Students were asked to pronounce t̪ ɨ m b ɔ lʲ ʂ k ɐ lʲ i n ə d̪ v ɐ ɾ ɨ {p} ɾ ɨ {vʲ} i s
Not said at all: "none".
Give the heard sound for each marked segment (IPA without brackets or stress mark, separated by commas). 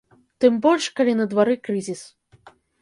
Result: k, zʲ